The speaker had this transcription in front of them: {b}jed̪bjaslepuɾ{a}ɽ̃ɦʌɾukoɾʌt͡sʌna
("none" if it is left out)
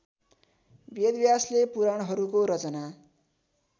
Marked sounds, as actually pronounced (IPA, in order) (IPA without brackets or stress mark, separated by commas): b, a